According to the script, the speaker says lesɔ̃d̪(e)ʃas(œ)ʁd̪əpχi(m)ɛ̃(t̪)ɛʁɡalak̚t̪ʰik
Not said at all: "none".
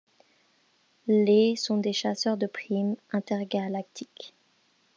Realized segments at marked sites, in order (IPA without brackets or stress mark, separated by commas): e, œ, m, t̪